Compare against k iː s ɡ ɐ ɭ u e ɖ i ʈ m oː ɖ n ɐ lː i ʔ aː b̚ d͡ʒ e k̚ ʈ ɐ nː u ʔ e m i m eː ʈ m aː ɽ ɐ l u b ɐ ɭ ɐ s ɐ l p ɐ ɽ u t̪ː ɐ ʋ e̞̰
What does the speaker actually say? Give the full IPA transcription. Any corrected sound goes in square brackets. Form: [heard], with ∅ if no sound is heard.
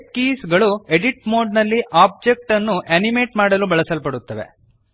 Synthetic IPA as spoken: k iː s ɡ ɐ ɭ u e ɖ i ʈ m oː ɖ n ɐ lː i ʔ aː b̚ d͡ʒ e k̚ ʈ ɐ nː u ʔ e [n] i m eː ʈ m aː ɽ ɐ l u b ɐ ɭ ɐ s ɐ l p ɐ ɽ u t̪ː ɐ ʋ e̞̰